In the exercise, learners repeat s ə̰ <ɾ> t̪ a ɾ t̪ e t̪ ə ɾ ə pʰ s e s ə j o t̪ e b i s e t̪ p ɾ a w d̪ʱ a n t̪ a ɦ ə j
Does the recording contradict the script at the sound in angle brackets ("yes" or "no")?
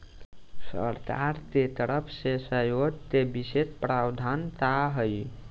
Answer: no